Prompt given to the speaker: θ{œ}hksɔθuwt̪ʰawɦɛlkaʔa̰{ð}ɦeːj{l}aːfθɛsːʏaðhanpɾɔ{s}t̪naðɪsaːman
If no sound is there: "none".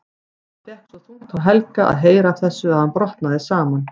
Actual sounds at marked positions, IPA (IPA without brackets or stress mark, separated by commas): ɛ, ð, ɾ, h